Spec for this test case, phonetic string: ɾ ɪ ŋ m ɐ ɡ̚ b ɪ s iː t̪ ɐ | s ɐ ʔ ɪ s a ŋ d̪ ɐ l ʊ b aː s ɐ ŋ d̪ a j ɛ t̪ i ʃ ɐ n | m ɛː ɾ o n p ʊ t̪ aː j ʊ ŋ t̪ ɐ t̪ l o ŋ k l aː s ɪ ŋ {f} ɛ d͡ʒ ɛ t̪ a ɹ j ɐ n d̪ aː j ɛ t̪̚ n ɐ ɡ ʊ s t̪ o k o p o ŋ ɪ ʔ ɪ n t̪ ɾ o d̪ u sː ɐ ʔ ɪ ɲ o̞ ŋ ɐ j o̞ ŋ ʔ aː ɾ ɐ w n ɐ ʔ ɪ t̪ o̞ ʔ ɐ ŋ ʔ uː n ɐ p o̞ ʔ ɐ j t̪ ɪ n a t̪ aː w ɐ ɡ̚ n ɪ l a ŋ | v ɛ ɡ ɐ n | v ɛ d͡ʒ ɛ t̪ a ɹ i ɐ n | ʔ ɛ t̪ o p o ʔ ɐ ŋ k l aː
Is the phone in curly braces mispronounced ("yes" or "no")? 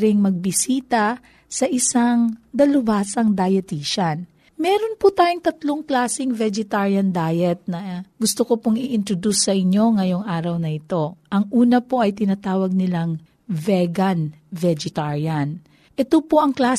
yes